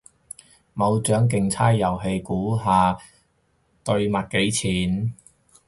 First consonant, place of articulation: labial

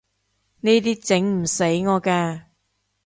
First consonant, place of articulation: alveolar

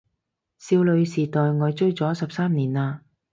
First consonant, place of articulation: alveolar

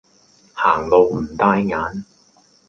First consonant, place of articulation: glottal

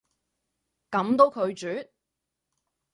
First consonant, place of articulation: velar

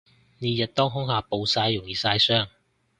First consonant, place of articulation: alveolar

